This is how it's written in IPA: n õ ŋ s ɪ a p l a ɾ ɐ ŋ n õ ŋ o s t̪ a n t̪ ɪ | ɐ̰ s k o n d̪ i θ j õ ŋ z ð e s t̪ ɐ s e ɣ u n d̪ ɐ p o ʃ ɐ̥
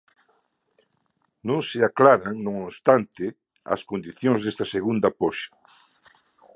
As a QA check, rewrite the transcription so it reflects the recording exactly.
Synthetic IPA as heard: n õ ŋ s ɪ a k l a ɾ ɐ ŋ n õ ŋ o s t̪ a n t̪ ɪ | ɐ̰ s k o n d̪ i θ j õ ŋ z ð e s t̪ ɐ s e ɣ u n d̪ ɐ p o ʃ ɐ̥